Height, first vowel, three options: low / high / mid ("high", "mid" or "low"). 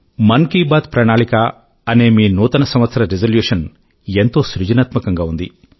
low